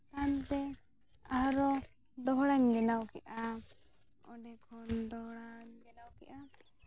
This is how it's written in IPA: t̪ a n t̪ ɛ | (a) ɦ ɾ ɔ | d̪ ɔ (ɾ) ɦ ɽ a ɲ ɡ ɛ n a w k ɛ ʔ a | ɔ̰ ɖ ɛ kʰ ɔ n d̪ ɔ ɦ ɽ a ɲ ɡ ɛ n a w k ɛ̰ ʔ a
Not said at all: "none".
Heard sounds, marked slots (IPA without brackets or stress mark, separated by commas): a, none